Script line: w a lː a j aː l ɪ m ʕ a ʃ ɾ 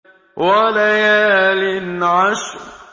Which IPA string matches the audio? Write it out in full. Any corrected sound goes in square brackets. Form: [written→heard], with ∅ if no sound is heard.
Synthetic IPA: w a [lː→l] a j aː l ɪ [m→n] ʕ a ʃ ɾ